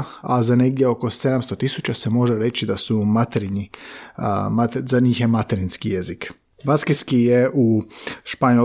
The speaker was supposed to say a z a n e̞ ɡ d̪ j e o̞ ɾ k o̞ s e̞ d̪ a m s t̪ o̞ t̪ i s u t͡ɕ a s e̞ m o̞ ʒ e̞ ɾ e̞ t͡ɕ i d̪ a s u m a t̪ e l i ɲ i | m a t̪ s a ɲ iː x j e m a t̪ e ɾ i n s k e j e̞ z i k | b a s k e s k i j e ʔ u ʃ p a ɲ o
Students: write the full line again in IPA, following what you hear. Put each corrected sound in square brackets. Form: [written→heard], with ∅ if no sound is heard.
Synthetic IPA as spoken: a z a n e̞ ɡ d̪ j e o̞ [ɾ→∅] k o̞ s e̞ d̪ a m s t̪ o̞ t̪ i s u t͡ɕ a s e̞ m o̞ ʒ e̞ ɾ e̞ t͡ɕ i d̪ a s u m a t̪ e [l→ɾ] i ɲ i | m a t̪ [s→z] a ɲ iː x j e m a t̪ e ɾ i n s k [e→i] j e̞ z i k | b a s k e s k i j e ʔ u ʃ p a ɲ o